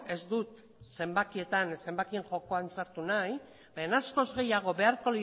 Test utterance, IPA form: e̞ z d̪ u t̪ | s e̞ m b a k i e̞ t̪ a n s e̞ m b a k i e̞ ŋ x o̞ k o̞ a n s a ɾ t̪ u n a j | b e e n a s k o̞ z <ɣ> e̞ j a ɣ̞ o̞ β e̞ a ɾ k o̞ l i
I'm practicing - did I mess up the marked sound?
no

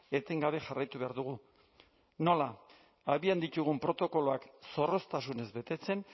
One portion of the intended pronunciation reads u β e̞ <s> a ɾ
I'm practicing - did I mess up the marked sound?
yes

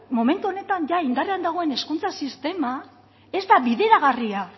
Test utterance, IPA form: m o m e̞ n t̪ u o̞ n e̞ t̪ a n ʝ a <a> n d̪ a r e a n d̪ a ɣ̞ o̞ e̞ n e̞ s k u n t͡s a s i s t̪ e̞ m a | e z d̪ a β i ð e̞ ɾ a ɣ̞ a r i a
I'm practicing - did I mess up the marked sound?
yes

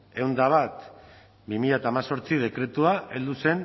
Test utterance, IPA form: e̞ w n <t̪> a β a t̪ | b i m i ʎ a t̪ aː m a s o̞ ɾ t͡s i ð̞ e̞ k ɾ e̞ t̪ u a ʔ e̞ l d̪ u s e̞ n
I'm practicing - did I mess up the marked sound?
yes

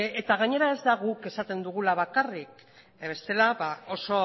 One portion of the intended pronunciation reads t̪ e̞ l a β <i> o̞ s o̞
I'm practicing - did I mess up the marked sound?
yes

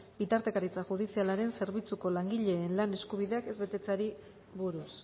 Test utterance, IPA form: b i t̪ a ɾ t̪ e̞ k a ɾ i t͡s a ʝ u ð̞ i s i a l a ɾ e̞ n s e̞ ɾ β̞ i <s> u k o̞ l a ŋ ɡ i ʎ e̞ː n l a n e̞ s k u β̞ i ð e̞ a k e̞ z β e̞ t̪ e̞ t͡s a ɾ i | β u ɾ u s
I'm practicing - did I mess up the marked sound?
yes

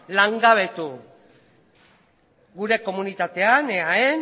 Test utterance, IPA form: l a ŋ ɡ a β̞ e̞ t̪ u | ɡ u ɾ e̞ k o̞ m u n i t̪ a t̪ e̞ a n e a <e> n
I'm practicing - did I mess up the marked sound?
no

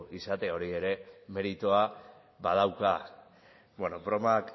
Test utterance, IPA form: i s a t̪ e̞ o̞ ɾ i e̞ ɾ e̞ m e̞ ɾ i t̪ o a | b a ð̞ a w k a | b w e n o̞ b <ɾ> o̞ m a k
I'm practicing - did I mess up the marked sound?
no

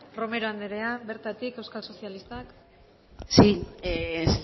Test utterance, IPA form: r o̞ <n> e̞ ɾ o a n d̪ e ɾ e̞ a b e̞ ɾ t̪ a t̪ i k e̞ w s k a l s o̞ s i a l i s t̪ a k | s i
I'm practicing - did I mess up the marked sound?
yes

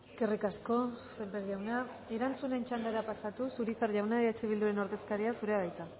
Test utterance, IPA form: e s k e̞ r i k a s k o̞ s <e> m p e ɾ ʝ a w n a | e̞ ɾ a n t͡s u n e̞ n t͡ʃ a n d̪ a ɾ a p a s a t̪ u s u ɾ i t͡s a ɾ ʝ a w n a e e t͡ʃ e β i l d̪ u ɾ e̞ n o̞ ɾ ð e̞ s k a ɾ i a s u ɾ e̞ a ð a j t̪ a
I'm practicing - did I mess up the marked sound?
no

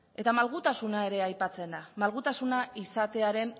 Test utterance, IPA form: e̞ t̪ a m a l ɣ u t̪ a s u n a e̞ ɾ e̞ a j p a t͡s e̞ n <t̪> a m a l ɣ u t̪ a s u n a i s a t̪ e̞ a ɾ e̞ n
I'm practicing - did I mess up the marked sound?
yes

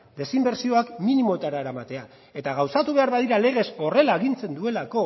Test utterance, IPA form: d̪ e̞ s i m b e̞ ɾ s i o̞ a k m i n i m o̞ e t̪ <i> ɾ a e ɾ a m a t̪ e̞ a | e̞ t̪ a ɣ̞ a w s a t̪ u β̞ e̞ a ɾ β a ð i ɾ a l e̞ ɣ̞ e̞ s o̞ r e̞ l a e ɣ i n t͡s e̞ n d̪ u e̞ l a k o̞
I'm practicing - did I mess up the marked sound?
yes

